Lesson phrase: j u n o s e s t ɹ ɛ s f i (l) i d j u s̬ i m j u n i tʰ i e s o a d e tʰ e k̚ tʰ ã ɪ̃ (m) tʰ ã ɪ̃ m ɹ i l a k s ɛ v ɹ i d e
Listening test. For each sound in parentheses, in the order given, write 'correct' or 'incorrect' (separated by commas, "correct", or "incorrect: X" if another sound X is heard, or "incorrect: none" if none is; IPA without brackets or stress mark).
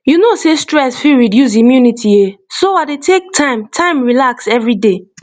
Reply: incorrect: ɹ, correct